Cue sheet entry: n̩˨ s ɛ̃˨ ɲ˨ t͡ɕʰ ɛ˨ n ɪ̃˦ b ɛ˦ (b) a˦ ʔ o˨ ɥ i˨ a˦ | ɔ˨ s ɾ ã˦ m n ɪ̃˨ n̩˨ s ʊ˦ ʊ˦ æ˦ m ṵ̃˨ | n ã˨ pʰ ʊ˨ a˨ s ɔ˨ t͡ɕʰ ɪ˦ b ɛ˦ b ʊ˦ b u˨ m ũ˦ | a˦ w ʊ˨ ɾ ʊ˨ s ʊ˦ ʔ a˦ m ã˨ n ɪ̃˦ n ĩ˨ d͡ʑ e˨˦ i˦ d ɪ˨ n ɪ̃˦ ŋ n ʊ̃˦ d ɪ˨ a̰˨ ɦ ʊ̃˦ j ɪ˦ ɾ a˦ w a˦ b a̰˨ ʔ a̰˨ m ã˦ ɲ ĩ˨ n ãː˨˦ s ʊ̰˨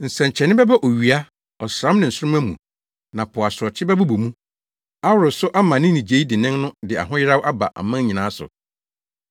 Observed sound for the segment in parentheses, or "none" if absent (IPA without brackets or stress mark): b